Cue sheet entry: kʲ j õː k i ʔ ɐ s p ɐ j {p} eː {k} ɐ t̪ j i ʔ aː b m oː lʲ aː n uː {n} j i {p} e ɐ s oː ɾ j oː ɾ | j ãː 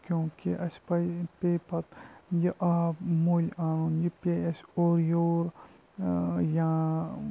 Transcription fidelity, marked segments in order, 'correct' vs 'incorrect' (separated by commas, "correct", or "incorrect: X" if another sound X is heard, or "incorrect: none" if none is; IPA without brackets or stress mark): correct, incorrect: p, correct, correct